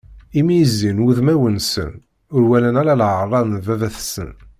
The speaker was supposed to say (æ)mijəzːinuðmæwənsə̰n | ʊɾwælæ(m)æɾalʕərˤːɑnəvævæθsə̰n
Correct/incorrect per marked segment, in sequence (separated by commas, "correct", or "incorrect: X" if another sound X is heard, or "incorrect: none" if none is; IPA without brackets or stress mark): incorrect: i, incorrect: n